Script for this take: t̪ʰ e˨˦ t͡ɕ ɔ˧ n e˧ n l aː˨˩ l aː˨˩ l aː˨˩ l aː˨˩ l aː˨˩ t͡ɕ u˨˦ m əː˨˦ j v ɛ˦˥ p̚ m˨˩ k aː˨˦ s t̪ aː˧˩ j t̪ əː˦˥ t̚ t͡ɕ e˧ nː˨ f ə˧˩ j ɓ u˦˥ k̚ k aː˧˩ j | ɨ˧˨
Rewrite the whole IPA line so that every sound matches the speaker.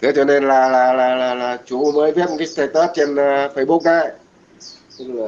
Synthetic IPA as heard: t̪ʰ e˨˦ t͡ɕ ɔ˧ n e˧ n l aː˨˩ l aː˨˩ l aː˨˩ l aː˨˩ l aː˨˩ t͡ɕ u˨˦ m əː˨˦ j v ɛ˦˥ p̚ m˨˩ k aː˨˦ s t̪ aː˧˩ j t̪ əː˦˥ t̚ t͡ɕ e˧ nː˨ f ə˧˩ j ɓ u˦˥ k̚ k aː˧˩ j | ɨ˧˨